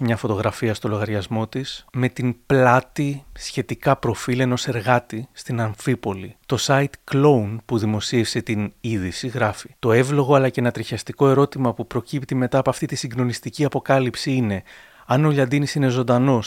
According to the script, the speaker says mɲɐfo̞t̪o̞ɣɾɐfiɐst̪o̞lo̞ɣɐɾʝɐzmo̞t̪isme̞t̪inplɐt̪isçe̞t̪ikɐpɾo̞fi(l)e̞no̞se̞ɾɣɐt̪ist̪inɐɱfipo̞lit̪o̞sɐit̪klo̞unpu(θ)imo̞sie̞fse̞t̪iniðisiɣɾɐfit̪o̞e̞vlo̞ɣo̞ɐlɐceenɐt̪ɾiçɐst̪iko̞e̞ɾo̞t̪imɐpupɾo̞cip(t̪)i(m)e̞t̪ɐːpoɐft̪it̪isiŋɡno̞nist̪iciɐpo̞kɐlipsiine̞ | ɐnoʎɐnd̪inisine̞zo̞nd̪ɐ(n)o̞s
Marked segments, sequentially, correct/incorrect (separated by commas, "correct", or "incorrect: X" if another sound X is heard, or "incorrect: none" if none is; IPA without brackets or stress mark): correct, incorrect: ð, correct, correct, correct